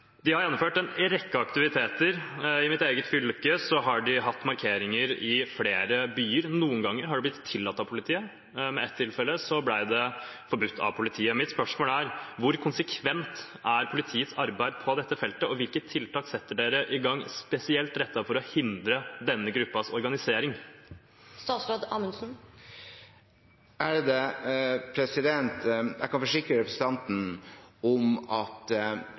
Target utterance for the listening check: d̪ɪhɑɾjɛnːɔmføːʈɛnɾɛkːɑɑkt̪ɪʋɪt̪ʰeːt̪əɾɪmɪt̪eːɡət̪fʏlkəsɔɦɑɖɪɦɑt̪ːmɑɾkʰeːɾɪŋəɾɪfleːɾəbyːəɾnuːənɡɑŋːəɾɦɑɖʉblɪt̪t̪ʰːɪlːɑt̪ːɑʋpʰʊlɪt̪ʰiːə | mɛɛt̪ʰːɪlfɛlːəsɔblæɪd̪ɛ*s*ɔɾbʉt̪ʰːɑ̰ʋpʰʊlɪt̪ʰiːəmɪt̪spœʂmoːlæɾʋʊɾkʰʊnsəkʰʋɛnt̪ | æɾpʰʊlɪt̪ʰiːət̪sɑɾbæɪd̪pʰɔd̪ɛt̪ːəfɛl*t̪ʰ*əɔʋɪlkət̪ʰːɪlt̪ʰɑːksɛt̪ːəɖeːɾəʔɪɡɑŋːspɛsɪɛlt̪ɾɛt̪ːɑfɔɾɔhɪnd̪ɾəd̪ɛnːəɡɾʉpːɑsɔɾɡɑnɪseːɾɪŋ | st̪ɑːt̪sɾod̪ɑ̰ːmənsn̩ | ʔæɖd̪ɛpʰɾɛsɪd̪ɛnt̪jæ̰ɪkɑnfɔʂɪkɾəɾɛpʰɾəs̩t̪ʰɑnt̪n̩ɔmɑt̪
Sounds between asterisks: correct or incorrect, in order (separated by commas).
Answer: incorrect, incorrect